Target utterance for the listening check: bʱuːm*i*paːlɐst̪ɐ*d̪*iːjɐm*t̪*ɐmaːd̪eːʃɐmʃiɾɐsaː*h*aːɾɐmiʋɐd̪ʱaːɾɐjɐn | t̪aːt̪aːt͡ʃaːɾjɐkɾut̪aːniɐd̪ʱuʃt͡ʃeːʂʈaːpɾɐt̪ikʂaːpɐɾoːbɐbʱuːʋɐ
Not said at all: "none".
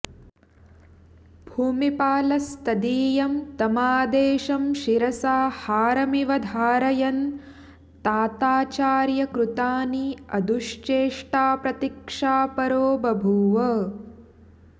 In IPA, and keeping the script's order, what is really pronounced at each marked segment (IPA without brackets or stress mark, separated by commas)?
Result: i, d̪, t̪, h